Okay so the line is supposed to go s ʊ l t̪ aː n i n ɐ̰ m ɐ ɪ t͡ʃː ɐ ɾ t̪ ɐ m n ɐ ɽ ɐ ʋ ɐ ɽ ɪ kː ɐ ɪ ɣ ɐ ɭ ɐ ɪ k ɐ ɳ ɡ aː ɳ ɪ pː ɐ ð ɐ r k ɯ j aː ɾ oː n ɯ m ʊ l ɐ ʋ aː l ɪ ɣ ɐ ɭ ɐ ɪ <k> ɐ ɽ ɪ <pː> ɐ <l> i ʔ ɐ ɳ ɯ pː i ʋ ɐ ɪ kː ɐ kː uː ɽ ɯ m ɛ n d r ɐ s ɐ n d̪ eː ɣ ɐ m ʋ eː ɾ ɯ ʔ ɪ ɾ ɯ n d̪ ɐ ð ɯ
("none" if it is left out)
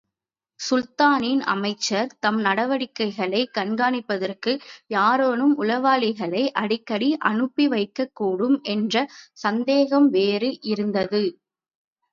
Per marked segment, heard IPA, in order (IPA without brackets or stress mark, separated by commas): ʔ, kː, ɽ